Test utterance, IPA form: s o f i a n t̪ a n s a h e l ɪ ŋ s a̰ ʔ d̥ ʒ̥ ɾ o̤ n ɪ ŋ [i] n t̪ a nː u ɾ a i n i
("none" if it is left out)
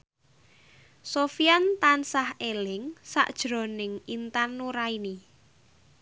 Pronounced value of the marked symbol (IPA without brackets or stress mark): i